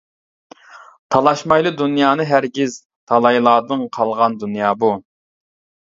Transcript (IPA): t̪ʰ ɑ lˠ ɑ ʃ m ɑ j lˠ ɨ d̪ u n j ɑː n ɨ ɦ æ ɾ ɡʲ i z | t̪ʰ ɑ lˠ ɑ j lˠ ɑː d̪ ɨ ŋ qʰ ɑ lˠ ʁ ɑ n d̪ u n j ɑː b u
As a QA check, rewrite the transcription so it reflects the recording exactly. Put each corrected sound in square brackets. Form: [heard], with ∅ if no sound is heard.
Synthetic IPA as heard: t̪ʰ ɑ lˠ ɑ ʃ m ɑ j lˠ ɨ d̪ u n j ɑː n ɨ ɦ æ ɾ ɡʲ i z | t̪ʰ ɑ lˠ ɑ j lˠ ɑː d̪ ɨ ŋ qʰ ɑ lˠ ʁ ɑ n d̪ u n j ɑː b u